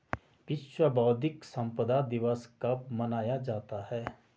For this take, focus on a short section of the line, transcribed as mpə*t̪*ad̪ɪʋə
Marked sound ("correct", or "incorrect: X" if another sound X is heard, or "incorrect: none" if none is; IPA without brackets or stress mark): incorrect: d̪